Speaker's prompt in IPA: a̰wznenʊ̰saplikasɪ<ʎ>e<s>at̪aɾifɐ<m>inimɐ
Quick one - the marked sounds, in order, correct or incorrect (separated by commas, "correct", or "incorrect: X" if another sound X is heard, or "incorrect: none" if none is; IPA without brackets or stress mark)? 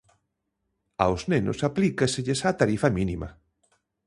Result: correct, correct, correct